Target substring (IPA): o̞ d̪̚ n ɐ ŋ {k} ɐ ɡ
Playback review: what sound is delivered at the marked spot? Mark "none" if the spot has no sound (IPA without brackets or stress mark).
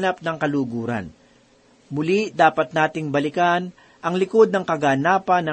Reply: k